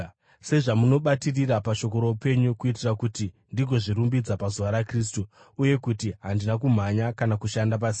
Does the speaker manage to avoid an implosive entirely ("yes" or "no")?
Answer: no